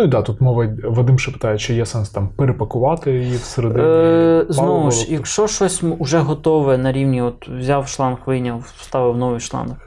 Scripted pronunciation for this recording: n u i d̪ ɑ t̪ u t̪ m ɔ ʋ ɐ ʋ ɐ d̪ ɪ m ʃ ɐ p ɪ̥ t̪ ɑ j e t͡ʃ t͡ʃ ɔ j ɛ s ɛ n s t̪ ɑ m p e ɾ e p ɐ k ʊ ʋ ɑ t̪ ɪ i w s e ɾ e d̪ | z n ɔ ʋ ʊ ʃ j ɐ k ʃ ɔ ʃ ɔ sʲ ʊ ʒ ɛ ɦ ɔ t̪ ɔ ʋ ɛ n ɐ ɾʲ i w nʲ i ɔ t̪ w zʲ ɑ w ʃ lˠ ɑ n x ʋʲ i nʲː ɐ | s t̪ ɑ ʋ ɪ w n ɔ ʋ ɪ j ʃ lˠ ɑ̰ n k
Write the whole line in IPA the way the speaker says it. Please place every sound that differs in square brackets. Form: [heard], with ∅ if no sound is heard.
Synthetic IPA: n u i d̪ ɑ t̪ u t̪ m ɔ ʋ ɐ ʋ ɐ d̪ ɪ m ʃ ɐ p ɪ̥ t̪ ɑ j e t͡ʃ t͡ʃ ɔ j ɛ s ɛ n s t̪ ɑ m p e ɾ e p ɐ k ʊ ʋ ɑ t̪ ɪ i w s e ɾ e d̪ | z n ɔ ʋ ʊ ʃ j ɐ k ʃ ɔ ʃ ɔ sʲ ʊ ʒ ɛ ɦ ɔ t̪ ɔ ʋ ɛ n ɐ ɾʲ i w nʲ i ɔ t̪ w zʲ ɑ w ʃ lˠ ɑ n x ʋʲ i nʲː ɐ | s t̪ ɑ ʋ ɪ w n ɔ ʋ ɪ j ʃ lˠ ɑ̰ n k